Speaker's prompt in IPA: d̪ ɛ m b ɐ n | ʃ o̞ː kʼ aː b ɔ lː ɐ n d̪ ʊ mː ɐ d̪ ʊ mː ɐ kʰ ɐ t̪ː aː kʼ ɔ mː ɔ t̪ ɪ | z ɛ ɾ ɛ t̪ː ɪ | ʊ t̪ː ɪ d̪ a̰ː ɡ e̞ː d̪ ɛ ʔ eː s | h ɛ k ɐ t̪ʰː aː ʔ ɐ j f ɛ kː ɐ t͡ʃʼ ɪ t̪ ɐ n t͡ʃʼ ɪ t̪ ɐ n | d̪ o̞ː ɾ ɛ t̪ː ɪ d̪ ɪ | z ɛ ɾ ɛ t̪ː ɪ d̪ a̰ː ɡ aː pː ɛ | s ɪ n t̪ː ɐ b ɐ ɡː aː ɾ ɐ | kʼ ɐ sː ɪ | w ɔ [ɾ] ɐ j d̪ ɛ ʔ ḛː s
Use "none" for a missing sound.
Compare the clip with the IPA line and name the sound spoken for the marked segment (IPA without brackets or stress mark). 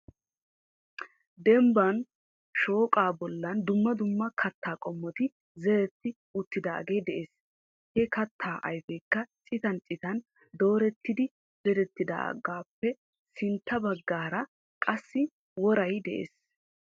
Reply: ɾ